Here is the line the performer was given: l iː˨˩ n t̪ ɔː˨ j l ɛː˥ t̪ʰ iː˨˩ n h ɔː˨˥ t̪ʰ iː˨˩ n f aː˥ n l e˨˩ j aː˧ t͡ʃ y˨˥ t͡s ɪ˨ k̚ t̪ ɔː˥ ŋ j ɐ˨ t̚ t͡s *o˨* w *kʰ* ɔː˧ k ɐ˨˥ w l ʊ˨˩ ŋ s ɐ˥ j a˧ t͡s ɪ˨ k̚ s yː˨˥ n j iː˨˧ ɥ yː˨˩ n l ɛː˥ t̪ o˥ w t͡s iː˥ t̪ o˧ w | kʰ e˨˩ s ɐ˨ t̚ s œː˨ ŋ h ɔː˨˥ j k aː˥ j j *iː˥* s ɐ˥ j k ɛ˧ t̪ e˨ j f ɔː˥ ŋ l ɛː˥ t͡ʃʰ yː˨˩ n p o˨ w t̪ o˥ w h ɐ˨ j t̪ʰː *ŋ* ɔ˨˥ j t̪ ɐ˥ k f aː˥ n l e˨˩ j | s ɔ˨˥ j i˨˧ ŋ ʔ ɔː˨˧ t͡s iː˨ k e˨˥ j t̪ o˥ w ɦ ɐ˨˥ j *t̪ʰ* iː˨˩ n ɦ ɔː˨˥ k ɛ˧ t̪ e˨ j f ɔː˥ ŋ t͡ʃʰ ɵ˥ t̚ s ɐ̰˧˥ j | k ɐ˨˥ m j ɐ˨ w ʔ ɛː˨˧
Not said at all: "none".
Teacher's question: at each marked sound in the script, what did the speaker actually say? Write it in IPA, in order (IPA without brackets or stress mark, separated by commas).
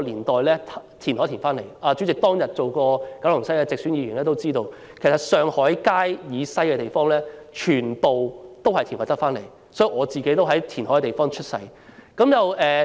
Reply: o˨, k, iː˨˧, n, t̪ʰ